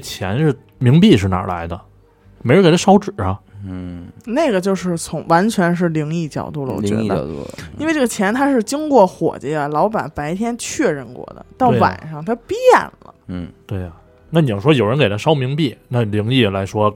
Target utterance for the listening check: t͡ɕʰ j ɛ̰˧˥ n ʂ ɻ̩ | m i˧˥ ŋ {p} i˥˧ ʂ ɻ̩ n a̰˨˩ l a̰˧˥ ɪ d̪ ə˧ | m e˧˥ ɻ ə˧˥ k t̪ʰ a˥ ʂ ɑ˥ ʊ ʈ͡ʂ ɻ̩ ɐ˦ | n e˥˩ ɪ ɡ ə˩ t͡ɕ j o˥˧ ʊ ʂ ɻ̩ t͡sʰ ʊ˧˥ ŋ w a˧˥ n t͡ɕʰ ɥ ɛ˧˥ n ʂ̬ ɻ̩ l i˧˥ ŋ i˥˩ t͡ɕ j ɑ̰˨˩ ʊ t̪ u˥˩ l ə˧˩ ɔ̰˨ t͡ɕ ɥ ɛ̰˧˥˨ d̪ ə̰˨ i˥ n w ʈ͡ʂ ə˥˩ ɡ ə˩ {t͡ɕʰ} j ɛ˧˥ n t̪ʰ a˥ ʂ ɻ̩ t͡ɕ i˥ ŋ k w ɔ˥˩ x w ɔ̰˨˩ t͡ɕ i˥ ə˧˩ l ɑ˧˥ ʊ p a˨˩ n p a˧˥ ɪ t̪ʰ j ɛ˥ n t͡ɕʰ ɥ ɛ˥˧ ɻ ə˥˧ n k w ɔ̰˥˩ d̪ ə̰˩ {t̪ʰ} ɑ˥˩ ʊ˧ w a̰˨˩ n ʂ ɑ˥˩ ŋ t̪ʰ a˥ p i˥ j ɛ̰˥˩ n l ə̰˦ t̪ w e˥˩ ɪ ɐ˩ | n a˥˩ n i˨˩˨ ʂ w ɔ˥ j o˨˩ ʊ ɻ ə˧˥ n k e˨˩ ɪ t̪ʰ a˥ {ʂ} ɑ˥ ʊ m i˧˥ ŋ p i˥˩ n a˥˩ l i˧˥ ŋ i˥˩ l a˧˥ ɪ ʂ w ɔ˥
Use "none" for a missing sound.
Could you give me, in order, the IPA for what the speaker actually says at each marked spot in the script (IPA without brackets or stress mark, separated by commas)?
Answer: p, t͡ɕʰ, t̪, ʂ